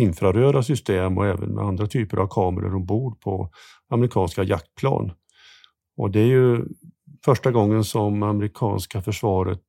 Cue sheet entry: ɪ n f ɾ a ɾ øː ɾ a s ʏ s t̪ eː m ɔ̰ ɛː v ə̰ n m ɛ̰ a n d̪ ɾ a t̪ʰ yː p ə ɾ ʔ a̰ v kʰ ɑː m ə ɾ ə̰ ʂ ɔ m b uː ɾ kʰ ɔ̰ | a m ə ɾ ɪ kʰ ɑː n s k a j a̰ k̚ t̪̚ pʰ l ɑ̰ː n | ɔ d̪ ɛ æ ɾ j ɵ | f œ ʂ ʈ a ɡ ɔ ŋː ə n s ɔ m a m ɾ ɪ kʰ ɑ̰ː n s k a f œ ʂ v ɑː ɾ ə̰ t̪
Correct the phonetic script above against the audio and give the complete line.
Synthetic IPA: ɪ n f ɾ a ɾ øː ɾ a s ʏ s t̪ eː m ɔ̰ ɛː v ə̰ n m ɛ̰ a n d̪ ɾ a t̪ʰ yː p ə ɾ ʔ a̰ v kʰ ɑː m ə ɾ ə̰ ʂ ɔ m b uː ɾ pʰ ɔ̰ | a m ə ɾ ɪ kʰ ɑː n s k a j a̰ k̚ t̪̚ pʰ l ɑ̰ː n | ɔ d̪ ɛ æ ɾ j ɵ | f œ ʂ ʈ a ɡ ɔ ŋː ə n s ɔ m a m ɾ ɪ kʰ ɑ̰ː n s k a f œ ʂ v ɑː ɾ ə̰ t̪